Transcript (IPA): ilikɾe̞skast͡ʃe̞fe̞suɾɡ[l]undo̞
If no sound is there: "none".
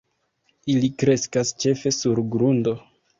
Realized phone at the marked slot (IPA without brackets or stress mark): ɾ